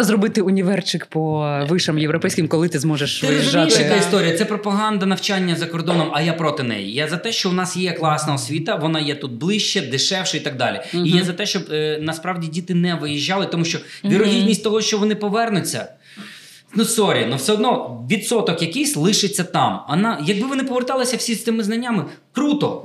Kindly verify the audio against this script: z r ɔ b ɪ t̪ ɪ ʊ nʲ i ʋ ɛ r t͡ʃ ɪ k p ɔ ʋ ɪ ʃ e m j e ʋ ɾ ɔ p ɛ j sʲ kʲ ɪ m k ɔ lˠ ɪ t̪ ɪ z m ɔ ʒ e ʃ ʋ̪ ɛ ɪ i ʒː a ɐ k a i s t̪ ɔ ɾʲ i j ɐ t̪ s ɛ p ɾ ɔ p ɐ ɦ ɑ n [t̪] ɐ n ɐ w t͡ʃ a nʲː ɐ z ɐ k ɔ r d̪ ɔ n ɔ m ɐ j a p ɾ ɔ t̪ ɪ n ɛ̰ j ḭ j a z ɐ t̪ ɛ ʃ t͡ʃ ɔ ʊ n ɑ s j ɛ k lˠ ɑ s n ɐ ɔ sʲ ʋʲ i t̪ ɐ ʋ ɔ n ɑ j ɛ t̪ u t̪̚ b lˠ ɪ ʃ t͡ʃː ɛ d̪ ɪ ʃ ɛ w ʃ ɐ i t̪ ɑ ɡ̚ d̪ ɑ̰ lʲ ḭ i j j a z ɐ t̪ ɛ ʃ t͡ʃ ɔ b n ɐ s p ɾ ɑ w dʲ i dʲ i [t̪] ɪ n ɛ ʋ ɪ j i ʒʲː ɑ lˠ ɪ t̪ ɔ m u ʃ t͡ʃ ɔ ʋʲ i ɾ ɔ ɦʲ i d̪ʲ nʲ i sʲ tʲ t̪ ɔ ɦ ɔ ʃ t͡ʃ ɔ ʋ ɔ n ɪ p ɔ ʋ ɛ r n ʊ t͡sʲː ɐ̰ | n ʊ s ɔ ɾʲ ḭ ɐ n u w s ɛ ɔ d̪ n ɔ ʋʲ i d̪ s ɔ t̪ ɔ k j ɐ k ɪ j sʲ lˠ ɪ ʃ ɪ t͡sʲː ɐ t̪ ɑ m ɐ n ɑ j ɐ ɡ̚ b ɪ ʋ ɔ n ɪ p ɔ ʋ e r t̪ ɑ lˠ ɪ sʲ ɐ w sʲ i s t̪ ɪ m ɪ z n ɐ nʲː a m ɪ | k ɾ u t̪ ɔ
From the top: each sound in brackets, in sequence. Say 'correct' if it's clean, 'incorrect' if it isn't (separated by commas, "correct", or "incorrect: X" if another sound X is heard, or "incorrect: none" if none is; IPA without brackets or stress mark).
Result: incorrect: d̪, correct